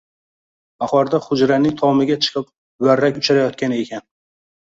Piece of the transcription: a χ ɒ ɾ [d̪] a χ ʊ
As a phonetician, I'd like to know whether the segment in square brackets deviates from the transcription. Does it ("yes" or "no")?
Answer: no